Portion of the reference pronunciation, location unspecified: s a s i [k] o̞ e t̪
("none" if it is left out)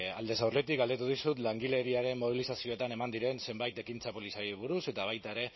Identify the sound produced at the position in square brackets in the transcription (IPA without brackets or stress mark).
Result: none